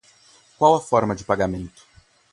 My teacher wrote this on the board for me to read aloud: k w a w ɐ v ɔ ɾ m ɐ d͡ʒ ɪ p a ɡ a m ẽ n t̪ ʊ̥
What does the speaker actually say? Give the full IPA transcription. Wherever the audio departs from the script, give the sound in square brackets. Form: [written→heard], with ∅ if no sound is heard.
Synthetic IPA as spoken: k w a w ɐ [v→f] ɔ ɾ m ɐ d͡ʒ ɪ p a ɡ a m ẽ n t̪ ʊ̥